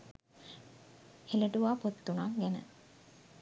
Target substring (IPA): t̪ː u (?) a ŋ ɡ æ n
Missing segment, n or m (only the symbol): n